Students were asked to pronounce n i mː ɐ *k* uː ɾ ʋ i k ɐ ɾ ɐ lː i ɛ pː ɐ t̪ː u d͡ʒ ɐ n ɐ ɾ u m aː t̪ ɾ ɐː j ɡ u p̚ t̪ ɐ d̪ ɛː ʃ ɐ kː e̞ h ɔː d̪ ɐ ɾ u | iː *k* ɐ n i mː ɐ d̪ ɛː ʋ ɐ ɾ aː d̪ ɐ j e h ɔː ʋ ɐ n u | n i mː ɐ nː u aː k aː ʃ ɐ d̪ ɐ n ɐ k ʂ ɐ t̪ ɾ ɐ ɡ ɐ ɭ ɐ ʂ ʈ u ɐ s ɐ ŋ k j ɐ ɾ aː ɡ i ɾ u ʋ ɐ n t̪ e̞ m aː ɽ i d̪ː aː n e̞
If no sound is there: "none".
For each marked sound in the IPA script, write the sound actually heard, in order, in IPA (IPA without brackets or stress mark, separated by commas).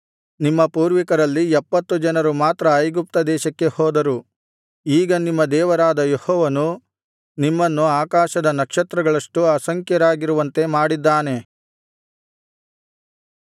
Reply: p, ɡ